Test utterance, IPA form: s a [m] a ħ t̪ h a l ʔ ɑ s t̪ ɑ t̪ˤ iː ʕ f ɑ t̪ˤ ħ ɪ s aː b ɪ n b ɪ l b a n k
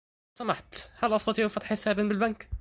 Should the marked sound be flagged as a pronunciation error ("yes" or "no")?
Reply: no